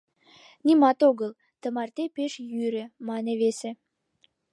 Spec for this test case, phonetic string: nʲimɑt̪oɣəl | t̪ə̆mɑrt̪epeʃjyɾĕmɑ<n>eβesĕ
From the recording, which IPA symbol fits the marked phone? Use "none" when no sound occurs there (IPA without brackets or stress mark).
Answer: n